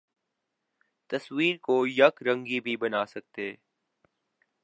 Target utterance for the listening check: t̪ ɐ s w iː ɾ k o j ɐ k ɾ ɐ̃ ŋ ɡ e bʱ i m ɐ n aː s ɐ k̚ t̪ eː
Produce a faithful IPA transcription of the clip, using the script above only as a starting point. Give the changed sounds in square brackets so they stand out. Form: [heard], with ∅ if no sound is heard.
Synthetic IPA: t̪ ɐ s w iː ɾ k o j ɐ k ɾ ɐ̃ ŋ ɡ [i] bʱ i [b] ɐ n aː s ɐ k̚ t̪ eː